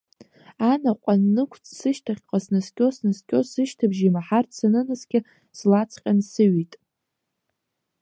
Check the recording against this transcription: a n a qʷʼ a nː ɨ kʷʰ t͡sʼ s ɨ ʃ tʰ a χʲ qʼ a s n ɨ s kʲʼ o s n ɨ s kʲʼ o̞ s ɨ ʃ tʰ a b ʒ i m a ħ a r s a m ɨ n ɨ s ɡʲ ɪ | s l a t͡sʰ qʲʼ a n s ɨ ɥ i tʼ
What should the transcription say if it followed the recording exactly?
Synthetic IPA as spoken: a n a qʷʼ a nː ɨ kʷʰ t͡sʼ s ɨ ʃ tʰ a χʲ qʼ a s n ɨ s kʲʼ o s n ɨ s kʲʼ o̞ s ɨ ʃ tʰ a b ʒ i m a ħ a r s a n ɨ n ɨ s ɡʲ ɪ | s l a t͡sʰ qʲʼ a n s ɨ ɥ i tʼ